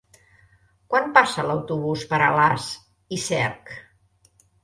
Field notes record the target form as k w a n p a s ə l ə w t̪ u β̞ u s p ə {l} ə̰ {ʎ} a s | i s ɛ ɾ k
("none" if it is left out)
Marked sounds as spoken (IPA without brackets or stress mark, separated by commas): ɾ, l